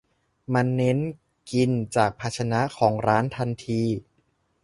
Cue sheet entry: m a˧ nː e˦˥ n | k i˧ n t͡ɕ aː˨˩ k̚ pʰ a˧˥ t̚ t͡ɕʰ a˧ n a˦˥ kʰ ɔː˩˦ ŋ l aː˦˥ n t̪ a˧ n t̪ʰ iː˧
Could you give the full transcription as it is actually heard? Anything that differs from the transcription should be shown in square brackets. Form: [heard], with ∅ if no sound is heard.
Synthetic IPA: m a˧ nː e˦˥ n | k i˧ n t͡ɕ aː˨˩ k̚ pʰ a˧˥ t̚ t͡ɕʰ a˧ n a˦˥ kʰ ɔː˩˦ ŋ [ɾ] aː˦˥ n [t̪ʰ] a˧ n t̪ʰ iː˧